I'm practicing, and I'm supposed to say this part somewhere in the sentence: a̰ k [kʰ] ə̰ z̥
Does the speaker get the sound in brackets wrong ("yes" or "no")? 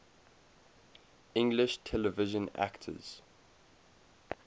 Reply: yes